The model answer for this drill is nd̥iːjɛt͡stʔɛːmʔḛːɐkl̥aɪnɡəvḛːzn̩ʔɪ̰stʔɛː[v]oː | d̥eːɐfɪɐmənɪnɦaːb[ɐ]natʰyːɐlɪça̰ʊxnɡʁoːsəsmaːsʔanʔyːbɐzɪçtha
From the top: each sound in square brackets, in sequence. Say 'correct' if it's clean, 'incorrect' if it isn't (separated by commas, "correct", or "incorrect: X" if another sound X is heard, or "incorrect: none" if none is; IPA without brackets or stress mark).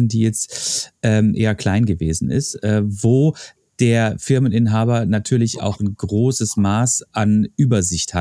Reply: correct, correct